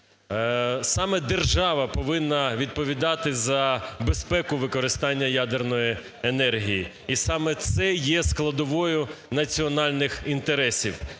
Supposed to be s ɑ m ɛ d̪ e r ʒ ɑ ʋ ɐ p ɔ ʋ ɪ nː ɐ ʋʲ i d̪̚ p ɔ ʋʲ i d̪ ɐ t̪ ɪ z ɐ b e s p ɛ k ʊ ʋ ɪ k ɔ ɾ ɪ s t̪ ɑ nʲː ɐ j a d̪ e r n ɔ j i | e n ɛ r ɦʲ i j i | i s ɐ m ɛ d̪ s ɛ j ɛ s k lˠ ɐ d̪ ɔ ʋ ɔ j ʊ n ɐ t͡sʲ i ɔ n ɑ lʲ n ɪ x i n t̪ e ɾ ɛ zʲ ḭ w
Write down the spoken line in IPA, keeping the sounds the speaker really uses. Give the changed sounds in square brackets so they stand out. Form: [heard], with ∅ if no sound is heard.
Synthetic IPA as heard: s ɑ m ɛ d̪ e r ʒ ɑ ʋ ɐ p ɔ ʋ ɪ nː ɐ ʋʲ i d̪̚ p ɔ ʋʲ i d̪ [ɑ] t̪ ɪ z ɐ b e s p ɛ k ʊ ʋ ɪ k ɔ ɾ ɪ s t̪ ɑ nʲː ɐ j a d̪ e r n ɔ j i | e n ɛ r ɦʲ i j i | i s [ɑ] m ɛ [t̪] s ɛ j ɛ s k lˠ ɐ d̪ ɔ ʋ ɔ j ʊ n ɐ t͡sʲ i ɔ n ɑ lʲ n ɪ x i n t̪ e ɾ ɛ [sʲ] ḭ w